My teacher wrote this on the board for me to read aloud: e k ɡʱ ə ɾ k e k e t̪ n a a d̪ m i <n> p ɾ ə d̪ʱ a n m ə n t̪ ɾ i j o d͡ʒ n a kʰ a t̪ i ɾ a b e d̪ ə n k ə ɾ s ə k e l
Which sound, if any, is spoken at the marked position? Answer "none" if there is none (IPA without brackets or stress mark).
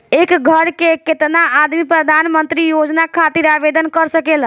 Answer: none